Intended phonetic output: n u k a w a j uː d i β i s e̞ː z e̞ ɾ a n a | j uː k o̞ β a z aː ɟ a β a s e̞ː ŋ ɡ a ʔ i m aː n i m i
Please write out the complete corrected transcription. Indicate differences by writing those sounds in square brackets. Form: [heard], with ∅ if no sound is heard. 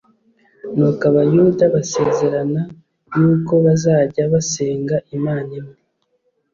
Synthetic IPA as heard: n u k a [β] a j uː d [a] β [a] s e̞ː z e̞ ɾ a n a | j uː k o̞ β a z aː ɟ a β a s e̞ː ŋ ɡ a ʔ i m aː n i m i